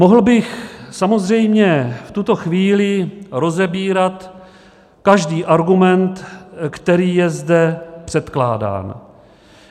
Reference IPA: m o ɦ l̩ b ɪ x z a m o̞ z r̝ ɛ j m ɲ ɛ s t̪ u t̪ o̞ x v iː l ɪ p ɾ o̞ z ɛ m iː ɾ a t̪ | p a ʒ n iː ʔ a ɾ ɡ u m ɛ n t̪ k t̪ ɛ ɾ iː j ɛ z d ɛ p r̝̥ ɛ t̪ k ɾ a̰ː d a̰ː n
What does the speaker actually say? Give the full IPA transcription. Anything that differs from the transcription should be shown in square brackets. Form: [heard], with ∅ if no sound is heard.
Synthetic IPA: m o ɦ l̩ b ɪ x [s] a m o̞ z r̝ ɛ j m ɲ ɛ [f] t̪ u t̪ o̞ x v iː l ɪ [∅] ɾ o̞ z ɛ [b] iː ɾ a t̪ | [k] a ʒ [d] iː ʔ a ɾ ɡ u m ɛ n t̪ k t̪ ɛ ɾ iː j ɛ z d ɛ p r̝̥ ɛ t̪ k [l] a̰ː d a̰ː n

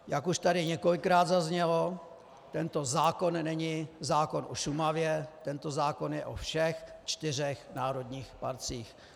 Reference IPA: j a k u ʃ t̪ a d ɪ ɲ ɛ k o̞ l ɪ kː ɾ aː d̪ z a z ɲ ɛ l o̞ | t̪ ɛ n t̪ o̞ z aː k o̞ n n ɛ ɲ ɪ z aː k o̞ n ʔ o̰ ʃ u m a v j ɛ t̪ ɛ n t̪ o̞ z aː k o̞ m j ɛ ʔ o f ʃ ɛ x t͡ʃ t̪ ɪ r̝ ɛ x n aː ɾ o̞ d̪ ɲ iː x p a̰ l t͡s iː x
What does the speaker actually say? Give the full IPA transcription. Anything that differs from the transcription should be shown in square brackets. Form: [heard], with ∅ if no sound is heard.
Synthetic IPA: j a k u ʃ t̪ a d ɪ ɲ ɛ k o̞ l ɪ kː ɾ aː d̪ z a z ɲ ɛ l o̞ | t̪ ɛ n t̪ o̞ z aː k o̞ n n ɛ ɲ ɪ z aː k o̞ n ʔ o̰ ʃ u m a v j ɛ t̪ ɛ n t̪ o̞ z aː k o̞ [n] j ɛ ʔ o f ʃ ɛ x t͡ʃ t̪ ɪ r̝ ɛ x n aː ɾ o̞ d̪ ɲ iː x p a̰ [ɾ] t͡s iː x

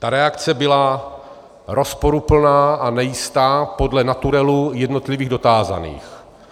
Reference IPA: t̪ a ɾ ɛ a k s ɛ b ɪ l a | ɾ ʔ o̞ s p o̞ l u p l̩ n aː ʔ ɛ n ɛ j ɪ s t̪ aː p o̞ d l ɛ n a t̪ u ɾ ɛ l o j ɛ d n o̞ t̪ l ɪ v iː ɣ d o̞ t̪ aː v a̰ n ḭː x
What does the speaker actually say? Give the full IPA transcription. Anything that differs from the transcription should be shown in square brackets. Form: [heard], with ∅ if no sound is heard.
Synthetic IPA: t̪ a ɾ ɛ a k [t͡s] ɛ b ɪ l a | ɾ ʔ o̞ s p o̞ [ɾ] u p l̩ n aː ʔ [a] n ɛ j ɪ s t̪ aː p o̞ d l ɛ n a t̪ u ɾ ɛ l [u] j ɛ d n o̞ t̪ l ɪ v iː ɣ d o̞ t̪ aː [z] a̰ n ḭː x

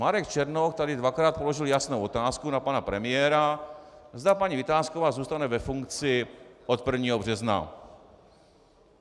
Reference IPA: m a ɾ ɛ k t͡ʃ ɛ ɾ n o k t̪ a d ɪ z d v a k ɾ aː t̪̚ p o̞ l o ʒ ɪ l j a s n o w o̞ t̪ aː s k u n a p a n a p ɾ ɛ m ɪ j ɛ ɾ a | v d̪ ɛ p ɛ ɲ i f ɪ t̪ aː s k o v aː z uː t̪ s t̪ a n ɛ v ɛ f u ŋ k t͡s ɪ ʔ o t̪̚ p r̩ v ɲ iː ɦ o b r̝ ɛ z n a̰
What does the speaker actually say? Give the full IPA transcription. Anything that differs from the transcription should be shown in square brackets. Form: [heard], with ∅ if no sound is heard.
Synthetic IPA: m a ɾ ɛ k t͡ʃ ɛ ɾ n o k t̪ a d ɪ [∅] d v a k ɾ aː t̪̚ p o̞ l o ʒ ɪ l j a s n o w o̞ t̪ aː s k u n a p a n a p ɾ ɛ m ɪ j ɛ ɾ a | [z] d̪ [a] p [a] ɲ i [v] ɪ t̪ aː s k o v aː z uː [∅] s t̪ a n ɛ v ɛ f u ŋ k t͡s ɪ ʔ o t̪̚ p r̩ v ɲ iː ɦ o b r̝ ɛ z n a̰

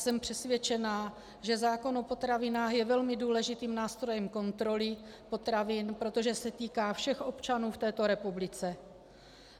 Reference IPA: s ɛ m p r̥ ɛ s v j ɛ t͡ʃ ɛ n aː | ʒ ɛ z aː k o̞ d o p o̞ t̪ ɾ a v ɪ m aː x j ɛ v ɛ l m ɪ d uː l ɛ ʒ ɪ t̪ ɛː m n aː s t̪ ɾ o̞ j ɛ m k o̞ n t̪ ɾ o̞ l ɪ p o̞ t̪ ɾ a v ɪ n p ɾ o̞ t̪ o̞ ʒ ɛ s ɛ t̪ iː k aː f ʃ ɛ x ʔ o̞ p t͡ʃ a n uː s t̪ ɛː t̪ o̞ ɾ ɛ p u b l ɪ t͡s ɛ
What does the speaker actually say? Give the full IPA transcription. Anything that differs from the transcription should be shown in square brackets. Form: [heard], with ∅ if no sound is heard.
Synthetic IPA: s ɛ m p r̥ ɛ s v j ɛ t͡ʃ ɛ n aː | ʒ ɛ z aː k o̞ [n] o p o̞ t̪ ɾ a v ɪ [n] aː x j ɛ v ɛ l m ɪ d uː l ɛ ʒ ɪ t̪ [iː] m n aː s t̪ ɾ o̞ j ɛ m k o̞ n t̪ ɾ o̞ l ɪ p o̞ t̪ ɾ a v ɪ n p ɾ o̞ t̪ o̞ ʒ ɛ s ɛ t̪ iː k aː f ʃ ɛ x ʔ o̞ p t͡ʃ a n uː [f] t̪ ɛː t̪ o̞ ɾ ɛ p u b l ɪ t͡s ɛ

